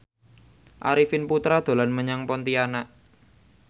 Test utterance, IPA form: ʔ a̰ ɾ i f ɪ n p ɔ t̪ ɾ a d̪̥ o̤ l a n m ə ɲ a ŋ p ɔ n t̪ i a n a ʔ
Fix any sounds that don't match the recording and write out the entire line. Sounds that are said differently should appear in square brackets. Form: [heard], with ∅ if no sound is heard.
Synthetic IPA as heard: ʔ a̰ ɾ i f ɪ n p [u] t̪ ɾ a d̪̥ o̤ l a n m ə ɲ a ŋ p ɔ n t̪ i a n a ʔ